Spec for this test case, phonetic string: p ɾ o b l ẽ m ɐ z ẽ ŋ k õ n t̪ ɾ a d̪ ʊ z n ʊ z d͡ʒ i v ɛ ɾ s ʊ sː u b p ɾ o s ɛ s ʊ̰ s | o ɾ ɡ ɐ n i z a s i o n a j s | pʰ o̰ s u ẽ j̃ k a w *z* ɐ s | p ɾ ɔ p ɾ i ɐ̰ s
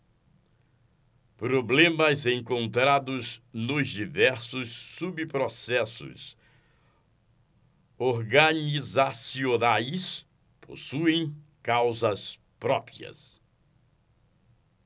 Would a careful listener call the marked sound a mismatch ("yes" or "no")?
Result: no